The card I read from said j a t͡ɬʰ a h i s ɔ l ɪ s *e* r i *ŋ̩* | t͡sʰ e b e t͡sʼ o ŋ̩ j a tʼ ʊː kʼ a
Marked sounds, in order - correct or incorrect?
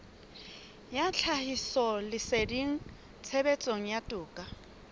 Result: correct, correct

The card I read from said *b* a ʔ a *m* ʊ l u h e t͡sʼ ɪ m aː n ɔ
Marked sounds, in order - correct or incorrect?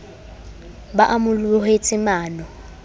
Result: correct, correct

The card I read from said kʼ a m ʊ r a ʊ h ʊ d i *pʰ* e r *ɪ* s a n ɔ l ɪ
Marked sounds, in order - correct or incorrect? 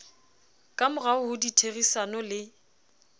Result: incorrect, incorrect

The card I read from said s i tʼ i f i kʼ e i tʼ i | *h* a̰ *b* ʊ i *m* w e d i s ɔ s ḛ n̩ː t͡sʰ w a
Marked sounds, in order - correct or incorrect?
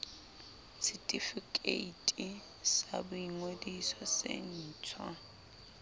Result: incorrect, correct, incorrect

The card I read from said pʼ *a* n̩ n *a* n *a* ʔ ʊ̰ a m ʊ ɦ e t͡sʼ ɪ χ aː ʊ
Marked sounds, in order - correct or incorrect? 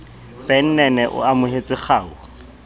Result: incorrect, incorrect, incorrect

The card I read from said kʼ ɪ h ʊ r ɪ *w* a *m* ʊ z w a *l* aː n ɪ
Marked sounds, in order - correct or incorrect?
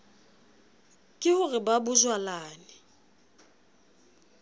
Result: incorrect, incorrect, correct

